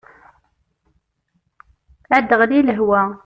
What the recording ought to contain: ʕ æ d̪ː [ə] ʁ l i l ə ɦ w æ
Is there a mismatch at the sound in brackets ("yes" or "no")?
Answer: no